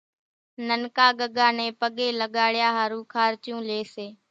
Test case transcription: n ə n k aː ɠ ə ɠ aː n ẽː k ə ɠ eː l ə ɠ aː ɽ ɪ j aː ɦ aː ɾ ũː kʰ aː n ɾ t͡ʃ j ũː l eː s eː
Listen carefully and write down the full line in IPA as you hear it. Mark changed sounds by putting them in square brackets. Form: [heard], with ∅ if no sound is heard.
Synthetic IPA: n ə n k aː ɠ ə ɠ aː n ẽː [p] ə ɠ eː l ə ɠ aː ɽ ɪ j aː ɦ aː ɾ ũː kʰ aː [∅] ɾ t͡ʃ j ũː l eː s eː